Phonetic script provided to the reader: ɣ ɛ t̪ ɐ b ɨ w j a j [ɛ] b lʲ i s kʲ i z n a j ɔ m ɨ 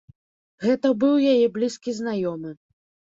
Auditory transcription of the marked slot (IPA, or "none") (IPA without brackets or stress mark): ɛ